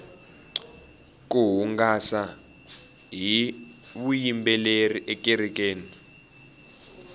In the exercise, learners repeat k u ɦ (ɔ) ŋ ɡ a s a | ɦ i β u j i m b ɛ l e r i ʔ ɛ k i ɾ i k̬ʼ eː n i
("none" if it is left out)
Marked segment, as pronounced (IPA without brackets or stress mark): u